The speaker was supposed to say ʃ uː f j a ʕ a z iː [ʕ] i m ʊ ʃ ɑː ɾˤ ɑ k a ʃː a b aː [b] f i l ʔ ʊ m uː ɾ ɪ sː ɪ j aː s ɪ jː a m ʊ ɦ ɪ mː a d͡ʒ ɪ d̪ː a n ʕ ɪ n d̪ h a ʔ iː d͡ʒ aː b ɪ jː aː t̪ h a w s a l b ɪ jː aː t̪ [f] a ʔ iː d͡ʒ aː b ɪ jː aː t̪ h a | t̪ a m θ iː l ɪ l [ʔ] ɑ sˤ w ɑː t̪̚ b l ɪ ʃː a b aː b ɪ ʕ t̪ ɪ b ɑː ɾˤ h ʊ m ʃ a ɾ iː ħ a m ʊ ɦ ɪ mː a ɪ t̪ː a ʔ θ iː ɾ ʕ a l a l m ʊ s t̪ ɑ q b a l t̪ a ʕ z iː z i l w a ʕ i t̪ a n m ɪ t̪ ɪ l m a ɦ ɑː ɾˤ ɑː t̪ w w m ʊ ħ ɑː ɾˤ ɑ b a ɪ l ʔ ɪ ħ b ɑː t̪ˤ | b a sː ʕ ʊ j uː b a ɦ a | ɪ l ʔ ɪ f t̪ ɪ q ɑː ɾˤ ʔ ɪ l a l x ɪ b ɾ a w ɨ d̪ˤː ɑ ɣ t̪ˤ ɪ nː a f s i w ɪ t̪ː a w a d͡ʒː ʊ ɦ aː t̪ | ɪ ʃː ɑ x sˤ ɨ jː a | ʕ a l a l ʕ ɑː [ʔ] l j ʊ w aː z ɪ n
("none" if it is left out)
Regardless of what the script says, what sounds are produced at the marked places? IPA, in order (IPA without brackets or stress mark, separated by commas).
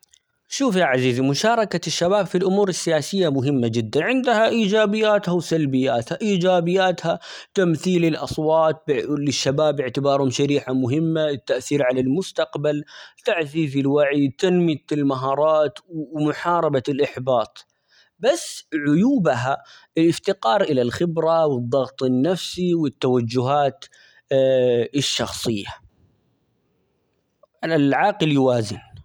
z, b, h, ʔ, q